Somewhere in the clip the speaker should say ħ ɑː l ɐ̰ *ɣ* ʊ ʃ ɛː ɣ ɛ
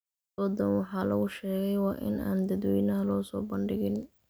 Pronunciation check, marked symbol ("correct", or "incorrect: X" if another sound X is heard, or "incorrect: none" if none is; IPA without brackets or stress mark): correct